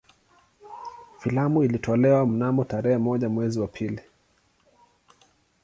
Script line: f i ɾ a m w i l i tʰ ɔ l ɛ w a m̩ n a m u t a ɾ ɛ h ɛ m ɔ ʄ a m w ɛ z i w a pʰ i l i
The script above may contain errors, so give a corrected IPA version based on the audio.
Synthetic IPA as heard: f i l a m u i l i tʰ ɔ l ɛ w a m̩ n a m ɔ t a ɾ ɛ h ɛ m ɔ ʄ a m w ɛ z i w a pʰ i l i